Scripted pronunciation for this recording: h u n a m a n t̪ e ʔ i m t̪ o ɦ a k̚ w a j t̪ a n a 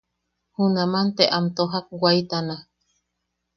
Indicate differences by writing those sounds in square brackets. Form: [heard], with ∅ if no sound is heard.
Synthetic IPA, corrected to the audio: h u n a m a n t̪ e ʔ [a] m t̪ o ɦ a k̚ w a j t̪ a n a